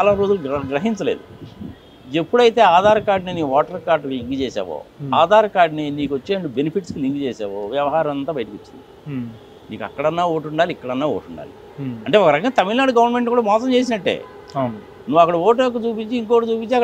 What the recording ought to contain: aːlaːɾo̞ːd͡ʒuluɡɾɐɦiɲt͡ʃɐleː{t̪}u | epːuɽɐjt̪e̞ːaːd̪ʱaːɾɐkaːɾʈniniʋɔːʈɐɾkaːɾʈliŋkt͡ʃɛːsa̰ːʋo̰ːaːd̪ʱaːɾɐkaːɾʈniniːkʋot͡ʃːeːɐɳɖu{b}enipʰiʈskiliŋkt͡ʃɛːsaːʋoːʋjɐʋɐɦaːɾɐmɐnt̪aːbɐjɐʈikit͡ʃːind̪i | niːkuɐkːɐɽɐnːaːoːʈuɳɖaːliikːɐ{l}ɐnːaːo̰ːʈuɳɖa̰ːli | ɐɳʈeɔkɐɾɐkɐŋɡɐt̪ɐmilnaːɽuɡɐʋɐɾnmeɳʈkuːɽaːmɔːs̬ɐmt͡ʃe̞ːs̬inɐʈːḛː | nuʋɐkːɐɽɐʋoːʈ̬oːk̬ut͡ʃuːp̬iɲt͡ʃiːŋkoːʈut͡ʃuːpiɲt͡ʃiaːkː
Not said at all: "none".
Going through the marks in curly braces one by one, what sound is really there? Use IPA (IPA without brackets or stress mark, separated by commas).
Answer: d̪, b, ɽ